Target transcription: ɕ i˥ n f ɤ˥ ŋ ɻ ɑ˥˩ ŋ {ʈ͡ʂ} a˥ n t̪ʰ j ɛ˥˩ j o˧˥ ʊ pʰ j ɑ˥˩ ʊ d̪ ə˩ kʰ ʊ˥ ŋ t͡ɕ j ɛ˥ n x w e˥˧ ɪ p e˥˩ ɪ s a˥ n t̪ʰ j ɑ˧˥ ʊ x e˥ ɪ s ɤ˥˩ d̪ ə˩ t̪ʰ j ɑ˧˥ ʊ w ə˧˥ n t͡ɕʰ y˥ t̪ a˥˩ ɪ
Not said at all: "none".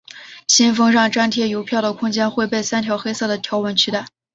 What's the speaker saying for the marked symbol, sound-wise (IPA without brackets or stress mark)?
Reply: ʈ͡ʂ